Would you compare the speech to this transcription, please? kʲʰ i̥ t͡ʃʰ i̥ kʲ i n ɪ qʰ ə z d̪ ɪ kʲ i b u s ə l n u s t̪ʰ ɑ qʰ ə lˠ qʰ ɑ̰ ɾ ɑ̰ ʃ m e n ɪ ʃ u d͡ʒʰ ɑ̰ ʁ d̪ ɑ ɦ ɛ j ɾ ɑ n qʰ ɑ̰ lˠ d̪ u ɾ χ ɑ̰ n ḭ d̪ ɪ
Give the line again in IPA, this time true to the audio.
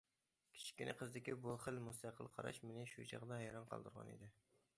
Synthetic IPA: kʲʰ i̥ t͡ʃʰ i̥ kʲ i n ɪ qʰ ə z d̪ ɪ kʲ i b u χ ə l m u s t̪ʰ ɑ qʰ ə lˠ qʰ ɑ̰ ɾ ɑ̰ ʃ m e n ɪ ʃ u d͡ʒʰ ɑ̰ ʁ d̪ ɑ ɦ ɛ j ɾ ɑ n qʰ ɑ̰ lˠ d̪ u ɾ ʁ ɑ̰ n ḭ d̪ ɪ